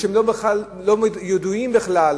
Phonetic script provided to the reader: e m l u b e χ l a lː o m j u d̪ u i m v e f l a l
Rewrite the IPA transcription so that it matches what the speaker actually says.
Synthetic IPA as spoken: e m l o b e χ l a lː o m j o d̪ u i m b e χ l a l